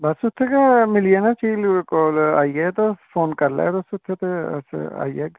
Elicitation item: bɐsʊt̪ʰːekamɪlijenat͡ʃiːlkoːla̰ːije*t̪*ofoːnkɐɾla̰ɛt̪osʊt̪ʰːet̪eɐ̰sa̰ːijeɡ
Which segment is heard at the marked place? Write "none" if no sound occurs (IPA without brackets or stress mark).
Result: t̪